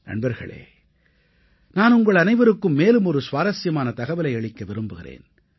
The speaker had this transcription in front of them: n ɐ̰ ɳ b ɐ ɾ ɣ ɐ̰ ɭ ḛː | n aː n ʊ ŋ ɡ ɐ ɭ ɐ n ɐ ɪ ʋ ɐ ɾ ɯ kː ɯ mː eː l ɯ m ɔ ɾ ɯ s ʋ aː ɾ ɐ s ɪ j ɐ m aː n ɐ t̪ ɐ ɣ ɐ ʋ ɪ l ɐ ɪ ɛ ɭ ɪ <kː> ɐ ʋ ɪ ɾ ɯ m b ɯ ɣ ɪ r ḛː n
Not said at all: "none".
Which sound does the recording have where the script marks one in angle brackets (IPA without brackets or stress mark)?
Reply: kː